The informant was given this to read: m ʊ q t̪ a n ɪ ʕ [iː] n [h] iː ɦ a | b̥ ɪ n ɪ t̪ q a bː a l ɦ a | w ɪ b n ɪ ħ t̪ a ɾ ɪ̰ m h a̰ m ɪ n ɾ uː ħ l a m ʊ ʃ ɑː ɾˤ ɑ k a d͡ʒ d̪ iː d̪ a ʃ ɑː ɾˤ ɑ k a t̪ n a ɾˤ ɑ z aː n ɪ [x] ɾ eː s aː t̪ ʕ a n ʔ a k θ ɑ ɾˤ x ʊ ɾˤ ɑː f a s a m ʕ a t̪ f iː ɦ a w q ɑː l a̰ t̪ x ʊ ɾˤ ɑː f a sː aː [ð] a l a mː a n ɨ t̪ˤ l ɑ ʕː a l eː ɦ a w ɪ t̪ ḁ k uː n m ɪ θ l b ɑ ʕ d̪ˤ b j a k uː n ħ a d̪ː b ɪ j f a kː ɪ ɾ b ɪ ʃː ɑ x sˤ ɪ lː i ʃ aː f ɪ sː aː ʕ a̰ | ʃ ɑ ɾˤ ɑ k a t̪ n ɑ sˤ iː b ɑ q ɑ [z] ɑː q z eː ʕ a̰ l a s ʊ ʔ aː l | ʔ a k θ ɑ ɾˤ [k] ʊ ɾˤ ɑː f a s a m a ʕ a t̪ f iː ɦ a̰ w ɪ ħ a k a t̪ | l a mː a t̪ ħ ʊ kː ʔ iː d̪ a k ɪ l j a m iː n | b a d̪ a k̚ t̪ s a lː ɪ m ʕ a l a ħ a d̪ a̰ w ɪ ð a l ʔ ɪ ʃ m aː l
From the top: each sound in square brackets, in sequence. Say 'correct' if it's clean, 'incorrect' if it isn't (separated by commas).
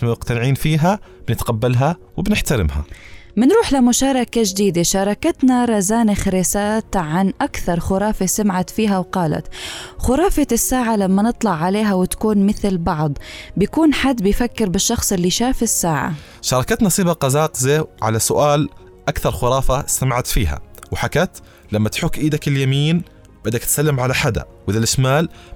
correct, incorrect, correct, incorrect, correct, incorrect